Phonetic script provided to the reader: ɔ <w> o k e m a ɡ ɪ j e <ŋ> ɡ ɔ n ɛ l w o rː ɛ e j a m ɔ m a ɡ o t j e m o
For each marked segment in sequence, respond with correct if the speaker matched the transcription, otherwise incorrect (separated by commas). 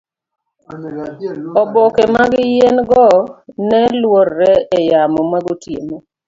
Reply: incorrect, incorrect